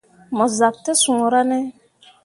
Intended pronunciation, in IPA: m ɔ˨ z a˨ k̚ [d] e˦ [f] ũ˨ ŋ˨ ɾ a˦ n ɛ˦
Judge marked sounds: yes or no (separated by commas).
no, no